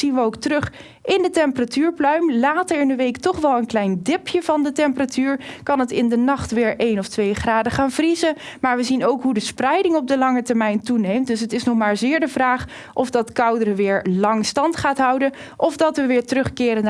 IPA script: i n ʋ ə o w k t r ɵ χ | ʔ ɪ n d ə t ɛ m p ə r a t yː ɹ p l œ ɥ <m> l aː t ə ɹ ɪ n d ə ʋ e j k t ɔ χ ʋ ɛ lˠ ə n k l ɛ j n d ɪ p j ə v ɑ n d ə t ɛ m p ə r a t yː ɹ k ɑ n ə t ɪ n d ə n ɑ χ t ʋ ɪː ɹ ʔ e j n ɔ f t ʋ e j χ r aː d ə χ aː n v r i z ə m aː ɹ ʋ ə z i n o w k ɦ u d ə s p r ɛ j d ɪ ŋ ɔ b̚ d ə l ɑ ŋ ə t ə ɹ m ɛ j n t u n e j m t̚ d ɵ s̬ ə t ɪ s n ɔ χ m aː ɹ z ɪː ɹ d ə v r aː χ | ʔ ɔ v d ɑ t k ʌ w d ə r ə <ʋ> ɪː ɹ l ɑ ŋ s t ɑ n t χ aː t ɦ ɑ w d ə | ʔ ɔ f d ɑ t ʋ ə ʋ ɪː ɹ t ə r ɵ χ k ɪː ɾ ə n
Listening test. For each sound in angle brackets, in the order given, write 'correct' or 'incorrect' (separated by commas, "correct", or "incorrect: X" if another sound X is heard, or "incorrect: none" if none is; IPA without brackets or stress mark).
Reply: correct, correct